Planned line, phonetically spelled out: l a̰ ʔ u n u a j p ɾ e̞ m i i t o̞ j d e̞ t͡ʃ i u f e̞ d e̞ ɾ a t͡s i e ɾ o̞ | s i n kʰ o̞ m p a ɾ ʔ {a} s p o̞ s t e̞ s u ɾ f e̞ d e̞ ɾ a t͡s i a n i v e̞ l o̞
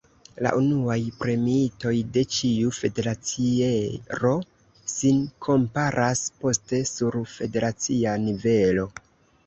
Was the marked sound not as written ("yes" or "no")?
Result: no